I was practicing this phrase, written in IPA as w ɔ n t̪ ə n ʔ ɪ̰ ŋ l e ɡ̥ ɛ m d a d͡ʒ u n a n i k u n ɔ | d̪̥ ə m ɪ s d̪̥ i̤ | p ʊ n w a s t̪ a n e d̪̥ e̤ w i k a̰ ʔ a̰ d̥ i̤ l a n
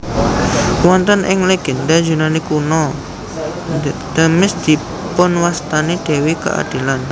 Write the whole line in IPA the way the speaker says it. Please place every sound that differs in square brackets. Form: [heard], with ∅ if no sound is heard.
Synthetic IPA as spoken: w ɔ n t̪ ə n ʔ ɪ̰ ŋ l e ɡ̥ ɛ [n] d a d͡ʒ u n a n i k u n ɔ | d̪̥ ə m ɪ s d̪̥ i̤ | p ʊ n w a s t̪ a n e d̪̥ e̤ w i k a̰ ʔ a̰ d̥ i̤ l a n